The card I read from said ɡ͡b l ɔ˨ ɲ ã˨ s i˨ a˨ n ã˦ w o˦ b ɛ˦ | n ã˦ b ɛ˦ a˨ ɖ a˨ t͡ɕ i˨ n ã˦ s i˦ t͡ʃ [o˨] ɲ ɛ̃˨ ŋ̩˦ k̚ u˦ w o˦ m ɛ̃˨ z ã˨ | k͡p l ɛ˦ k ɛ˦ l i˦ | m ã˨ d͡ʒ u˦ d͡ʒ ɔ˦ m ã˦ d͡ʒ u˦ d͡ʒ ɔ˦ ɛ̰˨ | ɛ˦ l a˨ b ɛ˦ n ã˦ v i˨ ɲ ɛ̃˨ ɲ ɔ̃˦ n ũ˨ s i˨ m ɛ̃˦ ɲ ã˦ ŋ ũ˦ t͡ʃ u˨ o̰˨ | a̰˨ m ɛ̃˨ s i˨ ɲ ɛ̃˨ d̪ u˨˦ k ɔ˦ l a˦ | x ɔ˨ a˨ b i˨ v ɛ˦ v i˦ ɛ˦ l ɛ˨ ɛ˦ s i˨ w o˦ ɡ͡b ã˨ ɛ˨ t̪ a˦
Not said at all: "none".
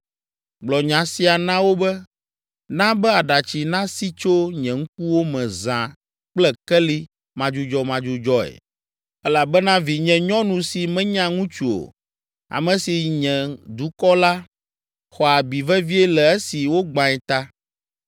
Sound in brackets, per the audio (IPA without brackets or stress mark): o˦